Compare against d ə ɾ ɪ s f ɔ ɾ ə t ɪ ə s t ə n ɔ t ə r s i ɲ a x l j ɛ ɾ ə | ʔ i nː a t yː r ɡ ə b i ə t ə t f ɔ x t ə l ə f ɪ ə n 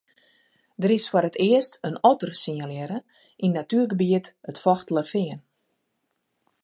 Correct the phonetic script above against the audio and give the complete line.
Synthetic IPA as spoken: d ə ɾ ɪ s f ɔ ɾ ə t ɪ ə s t ə n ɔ t ə r s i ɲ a l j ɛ ɾ ə | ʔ i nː a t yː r ɡ ə b i ə t ə t f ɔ x t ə l ə f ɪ ə n